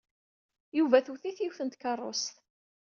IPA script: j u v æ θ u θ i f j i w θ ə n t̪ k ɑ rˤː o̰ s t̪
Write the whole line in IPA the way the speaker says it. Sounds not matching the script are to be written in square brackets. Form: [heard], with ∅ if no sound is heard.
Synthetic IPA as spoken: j u v æ θ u θ i [θ] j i w θ ə n t̪ k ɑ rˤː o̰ s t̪